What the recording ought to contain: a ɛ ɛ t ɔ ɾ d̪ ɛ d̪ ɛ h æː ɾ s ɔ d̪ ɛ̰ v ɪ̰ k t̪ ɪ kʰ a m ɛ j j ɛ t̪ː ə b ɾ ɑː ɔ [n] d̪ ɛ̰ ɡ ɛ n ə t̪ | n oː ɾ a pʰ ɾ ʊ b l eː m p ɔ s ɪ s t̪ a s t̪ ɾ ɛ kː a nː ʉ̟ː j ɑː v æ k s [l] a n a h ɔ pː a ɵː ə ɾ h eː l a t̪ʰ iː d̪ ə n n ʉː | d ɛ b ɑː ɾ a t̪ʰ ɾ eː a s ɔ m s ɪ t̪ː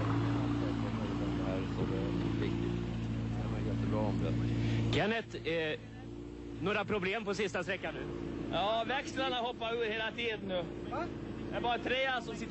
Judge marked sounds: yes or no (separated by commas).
no, yes